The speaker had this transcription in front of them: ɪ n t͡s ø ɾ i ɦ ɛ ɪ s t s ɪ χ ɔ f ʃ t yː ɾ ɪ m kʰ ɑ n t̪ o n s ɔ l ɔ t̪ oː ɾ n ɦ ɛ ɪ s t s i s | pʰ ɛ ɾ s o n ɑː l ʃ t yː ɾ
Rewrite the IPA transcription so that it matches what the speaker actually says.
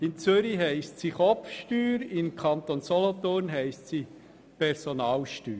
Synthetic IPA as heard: ɪ n t͡s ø ɾ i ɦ ɛ ɪ s t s i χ ɔ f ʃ t yː ɾ ɪ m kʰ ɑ n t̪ o n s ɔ l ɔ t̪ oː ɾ n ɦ ɛ ɪ s t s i | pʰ ɛ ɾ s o n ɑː l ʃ t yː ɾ

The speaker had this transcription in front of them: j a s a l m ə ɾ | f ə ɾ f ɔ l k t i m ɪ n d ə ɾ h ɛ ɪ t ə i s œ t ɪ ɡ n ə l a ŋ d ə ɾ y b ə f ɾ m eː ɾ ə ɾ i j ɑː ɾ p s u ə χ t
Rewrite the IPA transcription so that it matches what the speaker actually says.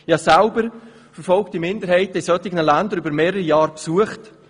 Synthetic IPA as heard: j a s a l b ə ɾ | f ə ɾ f ɔ l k t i m ɪ n d ə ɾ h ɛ ɪ t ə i s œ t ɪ ɡ n ə l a n d ə ɾ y b ə ɾ m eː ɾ ə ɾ i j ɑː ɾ p s u ə χ t

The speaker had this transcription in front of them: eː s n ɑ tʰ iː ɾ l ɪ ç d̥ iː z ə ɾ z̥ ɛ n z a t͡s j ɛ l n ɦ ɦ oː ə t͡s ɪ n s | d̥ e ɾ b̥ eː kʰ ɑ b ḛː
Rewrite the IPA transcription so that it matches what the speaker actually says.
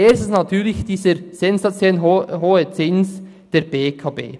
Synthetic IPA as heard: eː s n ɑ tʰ yː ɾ l ɪ ç d̥ iː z ə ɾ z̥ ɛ n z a t͡s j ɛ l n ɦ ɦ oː ə t͡s ɪ n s | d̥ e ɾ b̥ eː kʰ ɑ b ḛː

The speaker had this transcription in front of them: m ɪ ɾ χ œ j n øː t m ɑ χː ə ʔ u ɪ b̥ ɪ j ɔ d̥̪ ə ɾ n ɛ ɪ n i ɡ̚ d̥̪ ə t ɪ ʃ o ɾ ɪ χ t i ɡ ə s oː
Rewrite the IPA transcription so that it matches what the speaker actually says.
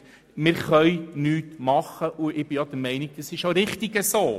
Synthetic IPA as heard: m ɪ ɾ χ œ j n yː t m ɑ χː ə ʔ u ɪ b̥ ɪ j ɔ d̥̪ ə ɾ m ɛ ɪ n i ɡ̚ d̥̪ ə s ɪ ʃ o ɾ ɪ χ t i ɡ ə s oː

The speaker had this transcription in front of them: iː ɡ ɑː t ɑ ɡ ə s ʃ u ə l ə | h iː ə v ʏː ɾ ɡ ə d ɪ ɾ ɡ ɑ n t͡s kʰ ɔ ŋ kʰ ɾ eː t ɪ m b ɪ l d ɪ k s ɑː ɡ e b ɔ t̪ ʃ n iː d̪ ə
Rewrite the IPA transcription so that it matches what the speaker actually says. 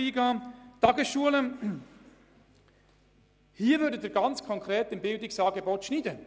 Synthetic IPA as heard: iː ɡ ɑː t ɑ ɡ ə s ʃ u ə l ə | h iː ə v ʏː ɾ d ə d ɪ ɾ ɡ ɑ n t͡s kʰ ɔ ŋ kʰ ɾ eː t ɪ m b ɪ l d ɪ k s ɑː ɡ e b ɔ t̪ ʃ n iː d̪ ə

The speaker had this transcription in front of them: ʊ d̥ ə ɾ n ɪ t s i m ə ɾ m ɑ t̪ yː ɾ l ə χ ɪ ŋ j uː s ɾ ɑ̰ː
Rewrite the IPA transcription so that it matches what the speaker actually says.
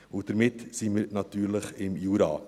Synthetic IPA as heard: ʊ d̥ ə ɾ m ɪ t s i m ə ɾ n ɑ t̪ yː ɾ l ə χ ɪ m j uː ɾ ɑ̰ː

